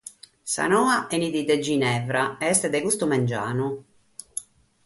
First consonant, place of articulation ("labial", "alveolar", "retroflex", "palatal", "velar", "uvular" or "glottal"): alveolar